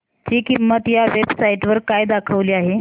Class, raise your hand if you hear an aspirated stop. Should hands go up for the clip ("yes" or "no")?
yes